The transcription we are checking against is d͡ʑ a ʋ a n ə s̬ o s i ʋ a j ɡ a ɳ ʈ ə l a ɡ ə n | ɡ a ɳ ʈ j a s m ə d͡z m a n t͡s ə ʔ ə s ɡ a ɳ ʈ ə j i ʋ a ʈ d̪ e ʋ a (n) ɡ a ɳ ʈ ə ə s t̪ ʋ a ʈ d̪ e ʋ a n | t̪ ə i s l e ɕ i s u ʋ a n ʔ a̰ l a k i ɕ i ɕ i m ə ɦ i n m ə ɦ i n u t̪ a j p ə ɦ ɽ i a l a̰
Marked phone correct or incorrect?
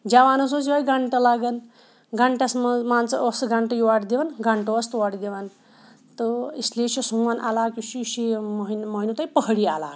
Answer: correct